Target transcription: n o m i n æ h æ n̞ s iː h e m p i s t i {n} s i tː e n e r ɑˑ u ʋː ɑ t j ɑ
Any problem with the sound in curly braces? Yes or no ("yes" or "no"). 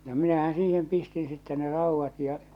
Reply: no